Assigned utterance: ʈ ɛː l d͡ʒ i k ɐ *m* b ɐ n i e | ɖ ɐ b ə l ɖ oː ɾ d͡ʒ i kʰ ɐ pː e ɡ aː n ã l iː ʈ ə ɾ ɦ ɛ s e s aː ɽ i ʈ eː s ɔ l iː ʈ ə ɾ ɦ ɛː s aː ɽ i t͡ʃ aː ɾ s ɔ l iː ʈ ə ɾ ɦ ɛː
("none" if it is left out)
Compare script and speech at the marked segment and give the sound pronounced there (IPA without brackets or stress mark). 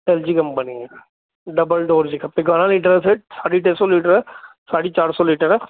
m